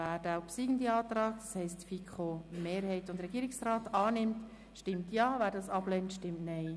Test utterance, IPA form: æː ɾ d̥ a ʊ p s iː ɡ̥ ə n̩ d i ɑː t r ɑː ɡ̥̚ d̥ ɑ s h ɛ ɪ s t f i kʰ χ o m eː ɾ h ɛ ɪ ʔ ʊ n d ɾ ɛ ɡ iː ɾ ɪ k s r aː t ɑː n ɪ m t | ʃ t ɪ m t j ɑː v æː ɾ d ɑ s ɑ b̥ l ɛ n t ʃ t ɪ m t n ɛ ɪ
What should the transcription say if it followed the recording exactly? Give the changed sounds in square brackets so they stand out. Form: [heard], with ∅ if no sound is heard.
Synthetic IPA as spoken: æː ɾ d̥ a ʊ p s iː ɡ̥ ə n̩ d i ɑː t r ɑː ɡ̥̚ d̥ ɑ s h ɛ ɪ s t f i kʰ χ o m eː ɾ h ɛ ɪ [t] ʊ n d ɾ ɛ ɡ iː ɾ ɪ k s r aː t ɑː n ɪ m t | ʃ t ɪ m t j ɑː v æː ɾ d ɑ s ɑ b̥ l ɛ n t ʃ t ɪ m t n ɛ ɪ